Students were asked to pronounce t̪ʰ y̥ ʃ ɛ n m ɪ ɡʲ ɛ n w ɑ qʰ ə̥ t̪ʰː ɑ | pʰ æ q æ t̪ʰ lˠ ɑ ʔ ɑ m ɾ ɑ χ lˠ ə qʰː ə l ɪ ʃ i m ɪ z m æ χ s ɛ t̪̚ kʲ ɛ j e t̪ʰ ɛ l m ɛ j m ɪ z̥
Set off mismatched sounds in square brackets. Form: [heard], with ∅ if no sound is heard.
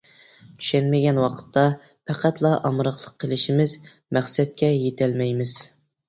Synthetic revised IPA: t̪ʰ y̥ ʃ ɛ n m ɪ ɡʲ ɛ n w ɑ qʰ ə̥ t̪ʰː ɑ | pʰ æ q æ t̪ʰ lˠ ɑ ʔ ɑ m ɾ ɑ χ lˠ ə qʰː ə l ɪ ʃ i m ɪ z m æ χ s ɛ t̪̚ kʲ ɛ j e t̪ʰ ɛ l m ɛ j m ɪ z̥